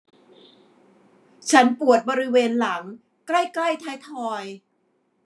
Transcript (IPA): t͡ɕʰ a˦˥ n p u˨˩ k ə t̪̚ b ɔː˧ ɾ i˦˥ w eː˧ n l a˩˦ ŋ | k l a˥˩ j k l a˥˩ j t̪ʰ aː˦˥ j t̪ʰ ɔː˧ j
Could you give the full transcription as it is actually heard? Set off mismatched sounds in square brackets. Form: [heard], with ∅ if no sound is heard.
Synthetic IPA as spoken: t͡ɕʰ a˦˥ n p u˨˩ [∅] ə t̪̚ b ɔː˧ ɾ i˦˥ w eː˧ n l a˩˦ ŋ | k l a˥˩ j k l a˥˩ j t̪ʰ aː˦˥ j t̪ʰ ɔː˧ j